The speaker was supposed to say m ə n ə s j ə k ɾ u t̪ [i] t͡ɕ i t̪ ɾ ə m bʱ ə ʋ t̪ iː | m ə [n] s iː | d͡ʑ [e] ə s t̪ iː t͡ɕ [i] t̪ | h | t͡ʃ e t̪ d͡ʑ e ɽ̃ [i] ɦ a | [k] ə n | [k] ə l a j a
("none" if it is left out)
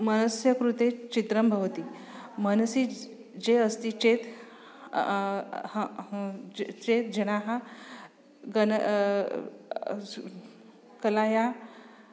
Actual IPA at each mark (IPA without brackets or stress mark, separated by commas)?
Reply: e, n, e, e, a, ɡ, k